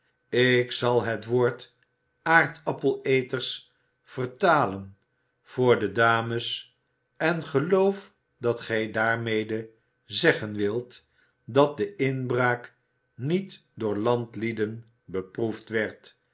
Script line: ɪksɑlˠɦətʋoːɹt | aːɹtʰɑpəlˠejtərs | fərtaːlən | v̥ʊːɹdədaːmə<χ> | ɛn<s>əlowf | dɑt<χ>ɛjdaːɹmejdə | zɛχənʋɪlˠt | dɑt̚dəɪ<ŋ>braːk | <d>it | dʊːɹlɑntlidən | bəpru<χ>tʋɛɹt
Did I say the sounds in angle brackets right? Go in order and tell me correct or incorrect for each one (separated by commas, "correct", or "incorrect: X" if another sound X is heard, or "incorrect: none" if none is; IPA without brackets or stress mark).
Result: incorrect: s, incorrect: χ, correct, incorrect: n, incorrect: n, incorrect: f